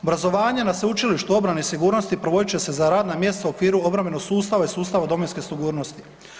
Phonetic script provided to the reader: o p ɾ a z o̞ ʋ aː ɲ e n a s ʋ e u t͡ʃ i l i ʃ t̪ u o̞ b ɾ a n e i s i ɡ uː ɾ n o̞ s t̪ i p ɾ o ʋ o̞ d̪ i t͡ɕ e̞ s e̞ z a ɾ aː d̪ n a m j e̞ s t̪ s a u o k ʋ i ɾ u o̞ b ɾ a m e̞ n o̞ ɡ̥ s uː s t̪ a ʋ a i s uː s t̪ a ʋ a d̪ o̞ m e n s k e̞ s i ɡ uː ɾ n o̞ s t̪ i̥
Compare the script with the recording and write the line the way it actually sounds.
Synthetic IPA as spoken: o b ɾ a z o̞ ʋ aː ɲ e n a s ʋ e u t͡ʃ i l i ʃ t̪ u o̞ b ɾ a n e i s i ɡ uː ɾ n o̞ s t̪ i p ɾ o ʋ o̞ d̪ i t͡ɕ e̞ s e̞ z a ɾ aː d̪ n a m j e̞ s t̪ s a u o k ʋ iː ɾ u o̞ b ɾ a m e̞ n o̞ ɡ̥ s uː s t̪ a ʋ a i s uː s t̪ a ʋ a d̪ o̞ m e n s k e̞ s i ɡ uː ɾ n o̞ s t̪ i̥